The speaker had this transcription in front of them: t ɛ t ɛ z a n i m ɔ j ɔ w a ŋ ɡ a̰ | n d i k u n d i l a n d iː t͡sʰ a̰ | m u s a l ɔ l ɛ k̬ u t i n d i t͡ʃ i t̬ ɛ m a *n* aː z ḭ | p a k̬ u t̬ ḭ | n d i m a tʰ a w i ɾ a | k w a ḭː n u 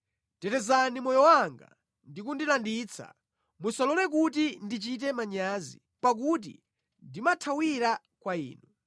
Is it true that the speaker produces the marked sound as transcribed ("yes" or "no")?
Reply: no